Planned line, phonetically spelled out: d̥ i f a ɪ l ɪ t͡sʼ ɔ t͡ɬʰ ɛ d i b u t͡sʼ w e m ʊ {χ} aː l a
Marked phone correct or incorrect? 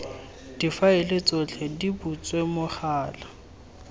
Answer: correct